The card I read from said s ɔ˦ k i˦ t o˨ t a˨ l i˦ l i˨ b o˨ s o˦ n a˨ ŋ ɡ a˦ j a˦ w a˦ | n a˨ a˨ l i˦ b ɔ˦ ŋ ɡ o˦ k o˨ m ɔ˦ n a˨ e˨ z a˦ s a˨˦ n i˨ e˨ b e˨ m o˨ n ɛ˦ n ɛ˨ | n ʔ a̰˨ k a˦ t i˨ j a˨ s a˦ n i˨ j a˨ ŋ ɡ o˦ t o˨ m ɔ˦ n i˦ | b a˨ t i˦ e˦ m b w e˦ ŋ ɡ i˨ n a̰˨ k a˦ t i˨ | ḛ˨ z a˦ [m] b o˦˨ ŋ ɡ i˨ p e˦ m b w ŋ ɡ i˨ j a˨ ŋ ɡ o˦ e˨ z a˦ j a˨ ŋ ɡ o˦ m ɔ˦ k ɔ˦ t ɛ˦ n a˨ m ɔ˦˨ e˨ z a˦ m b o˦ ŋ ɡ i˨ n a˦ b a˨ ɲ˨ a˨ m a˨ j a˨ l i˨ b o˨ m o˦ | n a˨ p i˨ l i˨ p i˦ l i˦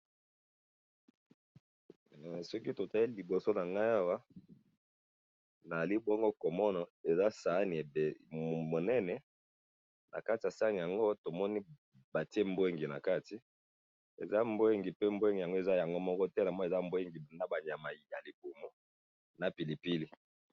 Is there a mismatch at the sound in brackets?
no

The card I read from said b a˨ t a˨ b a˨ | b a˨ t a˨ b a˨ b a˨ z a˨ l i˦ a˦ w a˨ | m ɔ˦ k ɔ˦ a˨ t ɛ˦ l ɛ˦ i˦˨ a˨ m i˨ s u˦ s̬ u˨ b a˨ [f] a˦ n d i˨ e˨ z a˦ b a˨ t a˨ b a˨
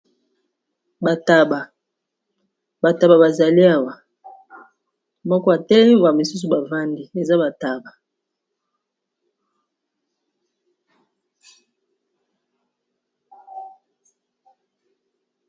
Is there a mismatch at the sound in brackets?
yes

